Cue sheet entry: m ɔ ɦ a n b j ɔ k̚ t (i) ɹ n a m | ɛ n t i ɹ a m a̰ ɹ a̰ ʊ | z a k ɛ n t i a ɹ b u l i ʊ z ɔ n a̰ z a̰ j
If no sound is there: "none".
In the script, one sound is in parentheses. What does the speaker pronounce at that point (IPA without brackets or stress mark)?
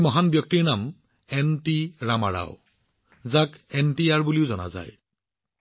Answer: i